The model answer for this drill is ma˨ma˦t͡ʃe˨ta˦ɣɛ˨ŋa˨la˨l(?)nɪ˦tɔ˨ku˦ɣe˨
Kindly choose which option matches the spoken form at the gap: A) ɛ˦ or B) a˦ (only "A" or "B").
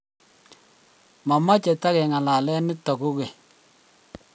A